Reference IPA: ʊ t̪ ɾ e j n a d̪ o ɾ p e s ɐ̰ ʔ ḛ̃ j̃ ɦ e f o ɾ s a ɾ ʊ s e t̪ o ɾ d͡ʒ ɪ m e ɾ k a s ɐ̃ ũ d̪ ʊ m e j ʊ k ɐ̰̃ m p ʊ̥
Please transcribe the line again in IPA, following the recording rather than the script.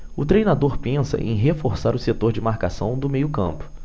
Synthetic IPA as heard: ʊ t̪ ɾ e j n a d̪ o ɾ p ẽ s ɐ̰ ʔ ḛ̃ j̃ ɦ e f o ɾ s a ɾ ʊ s e t̪ o ɾ d͡ʒ ɪ m a ɾ k a s ɐ̃ w̃ d̪ ʊ m e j ʊ k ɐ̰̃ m p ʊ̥